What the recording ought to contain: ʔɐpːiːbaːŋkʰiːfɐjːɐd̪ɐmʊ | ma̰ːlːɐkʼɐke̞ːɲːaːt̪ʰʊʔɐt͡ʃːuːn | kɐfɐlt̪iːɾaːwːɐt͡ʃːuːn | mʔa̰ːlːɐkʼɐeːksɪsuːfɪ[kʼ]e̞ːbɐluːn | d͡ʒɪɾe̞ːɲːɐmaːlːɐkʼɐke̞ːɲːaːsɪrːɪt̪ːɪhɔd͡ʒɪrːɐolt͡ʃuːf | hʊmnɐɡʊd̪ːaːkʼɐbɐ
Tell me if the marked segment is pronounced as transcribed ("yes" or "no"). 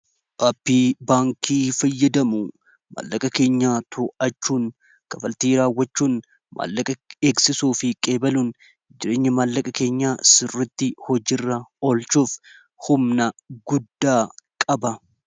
yes